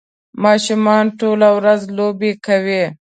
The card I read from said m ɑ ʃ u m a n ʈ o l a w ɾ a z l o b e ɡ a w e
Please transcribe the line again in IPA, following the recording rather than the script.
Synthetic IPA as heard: m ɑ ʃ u m ɑ n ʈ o l a w ɾ a z l o b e k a w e